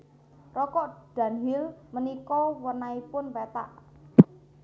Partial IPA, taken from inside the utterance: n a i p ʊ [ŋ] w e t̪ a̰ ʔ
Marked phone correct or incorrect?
incorrect